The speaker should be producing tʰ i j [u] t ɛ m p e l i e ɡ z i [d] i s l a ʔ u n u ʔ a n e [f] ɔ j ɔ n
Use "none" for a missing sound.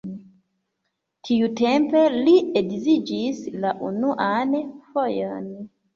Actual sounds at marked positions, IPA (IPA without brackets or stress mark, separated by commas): u, d͡ʒ, f